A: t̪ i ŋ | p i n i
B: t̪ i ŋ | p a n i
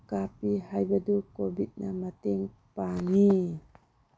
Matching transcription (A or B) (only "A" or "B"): B